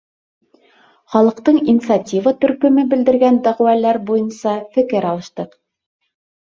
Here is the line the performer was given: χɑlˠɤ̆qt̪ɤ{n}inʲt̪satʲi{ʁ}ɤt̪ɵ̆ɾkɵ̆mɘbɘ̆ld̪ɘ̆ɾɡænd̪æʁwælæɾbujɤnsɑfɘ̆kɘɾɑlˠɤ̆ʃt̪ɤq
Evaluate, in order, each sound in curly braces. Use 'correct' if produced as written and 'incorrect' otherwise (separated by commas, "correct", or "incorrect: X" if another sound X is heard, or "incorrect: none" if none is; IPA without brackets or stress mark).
incorrect: ɴ, incorrect: v